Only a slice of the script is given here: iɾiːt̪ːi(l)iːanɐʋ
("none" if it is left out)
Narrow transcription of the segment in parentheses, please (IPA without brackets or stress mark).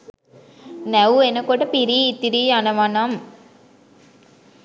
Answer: ɾ